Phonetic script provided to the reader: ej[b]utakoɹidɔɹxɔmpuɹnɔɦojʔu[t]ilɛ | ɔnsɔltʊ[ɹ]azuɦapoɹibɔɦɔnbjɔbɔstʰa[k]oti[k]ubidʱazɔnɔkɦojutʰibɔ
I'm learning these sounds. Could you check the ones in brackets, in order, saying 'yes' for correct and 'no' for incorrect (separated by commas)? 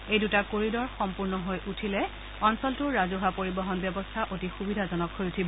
no, no, yes, no, no